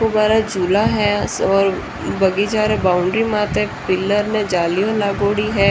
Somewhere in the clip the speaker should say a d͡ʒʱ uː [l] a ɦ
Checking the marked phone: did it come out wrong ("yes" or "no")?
no